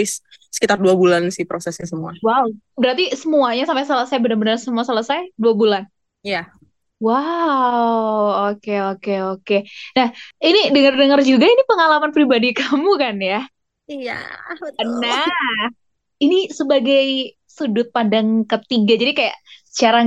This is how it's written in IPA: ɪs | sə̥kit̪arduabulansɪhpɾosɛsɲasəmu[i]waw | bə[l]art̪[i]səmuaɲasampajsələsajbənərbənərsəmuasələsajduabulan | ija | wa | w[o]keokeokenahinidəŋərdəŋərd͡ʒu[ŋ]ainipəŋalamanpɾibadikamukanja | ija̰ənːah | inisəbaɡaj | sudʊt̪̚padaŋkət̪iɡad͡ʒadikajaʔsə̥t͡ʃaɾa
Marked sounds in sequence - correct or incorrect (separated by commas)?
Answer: incorrect, incorrect, correct, correct, incorrect